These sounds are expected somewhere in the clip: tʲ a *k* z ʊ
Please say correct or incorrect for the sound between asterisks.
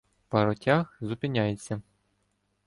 incorrect